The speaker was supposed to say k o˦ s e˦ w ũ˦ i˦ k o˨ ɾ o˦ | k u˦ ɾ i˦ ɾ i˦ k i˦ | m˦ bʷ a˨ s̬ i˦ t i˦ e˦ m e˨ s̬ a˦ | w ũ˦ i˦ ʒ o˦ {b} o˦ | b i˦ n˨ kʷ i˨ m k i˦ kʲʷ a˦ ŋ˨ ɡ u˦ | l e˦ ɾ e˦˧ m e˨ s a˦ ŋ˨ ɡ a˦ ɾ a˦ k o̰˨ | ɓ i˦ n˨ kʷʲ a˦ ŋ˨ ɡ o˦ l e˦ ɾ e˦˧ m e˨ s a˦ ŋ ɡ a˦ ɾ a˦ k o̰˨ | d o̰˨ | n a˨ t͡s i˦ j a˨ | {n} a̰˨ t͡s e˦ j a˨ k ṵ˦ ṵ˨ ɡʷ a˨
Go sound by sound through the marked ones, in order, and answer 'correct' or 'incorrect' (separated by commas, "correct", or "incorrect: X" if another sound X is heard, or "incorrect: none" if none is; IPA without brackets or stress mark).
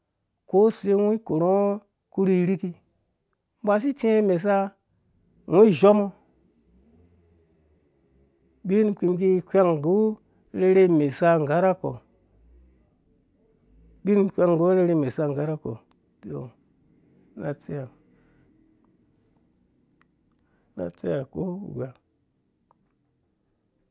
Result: incorrect: m, correct